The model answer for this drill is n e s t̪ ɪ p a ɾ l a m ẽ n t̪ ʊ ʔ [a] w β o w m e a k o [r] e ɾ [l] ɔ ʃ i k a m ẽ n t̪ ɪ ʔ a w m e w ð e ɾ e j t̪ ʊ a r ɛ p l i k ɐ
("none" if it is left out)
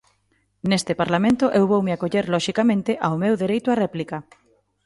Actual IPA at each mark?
e, ʎ, l

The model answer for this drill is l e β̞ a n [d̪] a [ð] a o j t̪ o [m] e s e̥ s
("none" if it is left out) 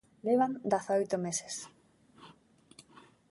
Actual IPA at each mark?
d̪, θ, m

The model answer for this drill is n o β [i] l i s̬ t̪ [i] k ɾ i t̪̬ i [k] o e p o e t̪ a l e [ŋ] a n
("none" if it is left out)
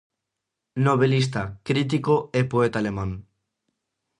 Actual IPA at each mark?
e, a, k, m

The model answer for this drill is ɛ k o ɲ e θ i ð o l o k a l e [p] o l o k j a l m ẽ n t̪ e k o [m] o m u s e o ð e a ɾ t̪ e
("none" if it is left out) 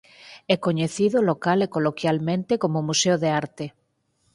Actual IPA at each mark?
k, m

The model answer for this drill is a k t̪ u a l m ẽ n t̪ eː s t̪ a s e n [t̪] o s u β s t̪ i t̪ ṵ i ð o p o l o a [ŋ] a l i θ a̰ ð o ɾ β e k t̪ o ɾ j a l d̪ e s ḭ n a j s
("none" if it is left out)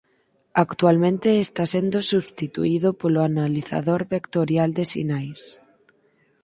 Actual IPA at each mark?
d̪, n

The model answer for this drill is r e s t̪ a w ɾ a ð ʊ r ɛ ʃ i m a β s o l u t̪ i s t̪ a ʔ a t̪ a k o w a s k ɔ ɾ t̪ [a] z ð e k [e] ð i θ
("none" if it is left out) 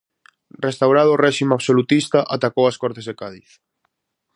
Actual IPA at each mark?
e, a

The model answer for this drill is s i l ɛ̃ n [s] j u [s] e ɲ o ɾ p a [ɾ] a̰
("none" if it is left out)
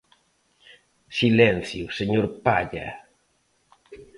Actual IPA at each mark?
θ, s, ʎ

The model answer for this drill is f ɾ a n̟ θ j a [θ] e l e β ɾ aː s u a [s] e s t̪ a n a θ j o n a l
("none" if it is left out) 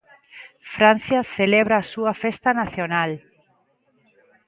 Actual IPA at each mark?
θ, f

